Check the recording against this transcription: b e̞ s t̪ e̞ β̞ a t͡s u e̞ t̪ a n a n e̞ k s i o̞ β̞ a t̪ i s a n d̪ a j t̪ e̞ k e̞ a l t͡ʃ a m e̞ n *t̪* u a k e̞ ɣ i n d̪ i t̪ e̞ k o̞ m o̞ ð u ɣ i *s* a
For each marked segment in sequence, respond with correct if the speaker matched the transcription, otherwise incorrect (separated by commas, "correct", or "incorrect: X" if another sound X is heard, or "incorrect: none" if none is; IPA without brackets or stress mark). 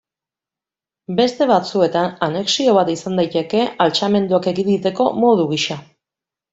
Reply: incorrect: d̪, incorrect: ʃ